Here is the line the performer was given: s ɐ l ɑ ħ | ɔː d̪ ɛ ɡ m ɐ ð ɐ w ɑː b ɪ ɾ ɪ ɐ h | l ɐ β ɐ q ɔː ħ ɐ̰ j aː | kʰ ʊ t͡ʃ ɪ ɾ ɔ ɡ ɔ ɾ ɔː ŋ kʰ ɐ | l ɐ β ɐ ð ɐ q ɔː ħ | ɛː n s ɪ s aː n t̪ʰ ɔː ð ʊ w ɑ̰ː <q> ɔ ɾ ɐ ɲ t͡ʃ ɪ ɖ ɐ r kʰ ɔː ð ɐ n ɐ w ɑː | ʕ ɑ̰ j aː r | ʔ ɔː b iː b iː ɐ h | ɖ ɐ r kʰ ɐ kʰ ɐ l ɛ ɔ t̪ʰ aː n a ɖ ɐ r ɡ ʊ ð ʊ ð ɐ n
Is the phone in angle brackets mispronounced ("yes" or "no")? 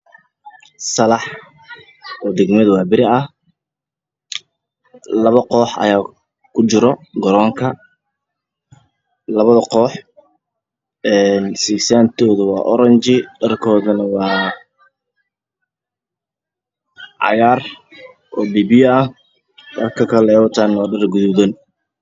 yes